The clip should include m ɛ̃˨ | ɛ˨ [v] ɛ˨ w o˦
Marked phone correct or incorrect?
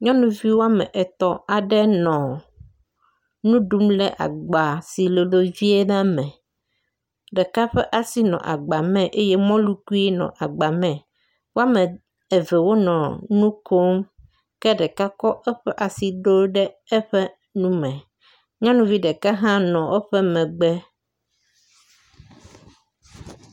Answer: correct